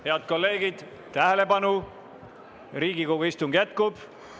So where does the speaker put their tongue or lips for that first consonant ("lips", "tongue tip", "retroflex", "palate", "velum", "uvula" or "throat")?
throat